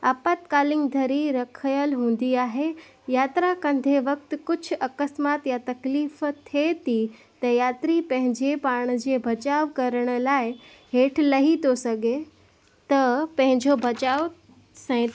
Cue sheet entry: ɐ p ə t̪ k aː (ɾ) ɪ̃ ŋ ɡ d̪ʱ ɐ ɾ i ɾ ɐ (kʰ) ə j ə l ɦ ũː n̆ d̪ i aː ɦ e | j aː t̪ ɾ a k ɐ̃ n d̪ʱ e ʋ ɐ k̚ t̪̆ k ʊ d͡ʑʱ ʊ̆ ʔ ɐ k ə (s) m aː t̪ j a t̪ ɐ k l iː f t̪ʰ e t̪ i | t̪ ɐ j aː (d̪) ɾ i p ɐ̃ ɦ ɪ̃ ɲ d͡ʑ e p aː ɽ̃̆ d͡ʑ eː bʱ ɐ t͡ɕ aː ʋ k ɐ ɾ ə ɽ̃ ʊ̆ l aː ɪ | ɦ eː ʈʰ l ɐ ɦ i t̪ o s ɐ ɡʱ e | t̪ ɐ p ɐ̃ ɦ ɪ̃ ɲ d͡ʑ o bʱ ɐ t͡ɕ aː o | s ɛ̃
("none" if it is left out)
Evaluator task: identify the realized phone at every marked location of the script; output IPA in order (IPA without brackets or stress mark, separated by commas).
l, kʰ, s, t̪